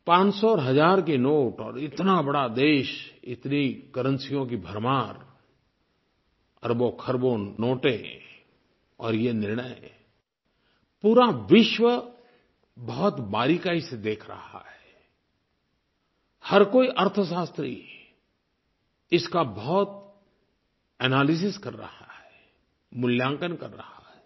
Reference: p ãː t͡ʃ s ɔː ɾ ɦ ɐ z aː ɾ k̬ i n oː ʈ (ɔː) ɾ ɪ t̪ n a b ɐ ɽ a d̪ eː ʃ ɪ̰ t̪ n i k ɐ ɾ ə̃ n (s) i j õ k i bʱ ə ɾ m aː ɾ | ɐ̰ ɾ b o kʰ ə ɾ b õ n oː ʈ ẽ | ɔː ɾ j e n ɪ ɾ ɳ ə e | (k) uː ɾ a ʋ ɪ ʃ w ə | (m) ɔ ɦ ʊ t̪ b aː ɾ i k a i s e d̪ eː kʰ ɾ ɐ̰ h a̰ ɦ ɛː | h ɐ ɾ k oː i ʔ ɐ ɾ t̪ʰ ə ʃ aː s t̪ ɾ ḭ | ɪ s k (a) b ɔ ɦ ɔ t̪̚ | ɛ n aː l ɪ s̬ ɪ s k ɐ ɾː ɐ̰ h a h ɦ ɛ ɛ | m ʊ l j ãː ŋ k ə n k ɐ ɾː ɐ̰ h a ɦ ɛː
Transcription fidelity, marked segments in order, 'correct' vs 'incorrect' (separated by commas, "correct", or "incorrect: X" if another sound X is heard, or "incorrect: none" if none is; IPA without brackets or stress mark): correct, correct, incorrect: p, incorrect: b, correct